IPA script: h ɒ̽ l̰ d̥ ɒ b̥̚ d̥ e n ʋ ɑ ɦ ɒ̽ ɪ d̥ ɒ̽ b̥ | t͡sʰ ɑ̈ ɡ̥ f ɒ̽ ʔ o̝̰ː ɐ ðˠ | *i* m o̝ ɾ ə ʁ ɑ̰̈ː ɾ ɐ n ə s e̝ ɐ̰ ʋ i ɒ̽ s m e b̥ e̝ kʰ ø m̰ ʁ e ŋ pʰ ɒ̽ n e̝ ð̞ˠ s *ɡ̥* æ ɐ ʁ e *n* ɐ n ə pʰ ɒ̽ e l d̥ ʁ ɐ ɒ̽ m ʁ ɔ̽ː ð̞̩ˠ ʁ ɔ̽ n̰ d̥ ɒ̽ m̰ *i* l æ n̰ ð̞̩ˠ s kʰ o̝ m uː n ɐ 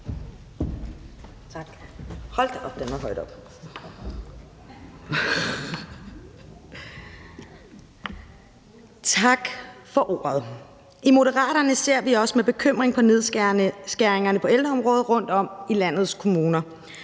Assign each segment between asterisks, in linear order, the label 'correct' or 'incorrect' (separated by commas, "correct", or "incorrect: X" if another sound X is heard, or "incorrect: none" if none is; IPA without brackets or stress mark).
correct, correct, incorrect: ŋ, correct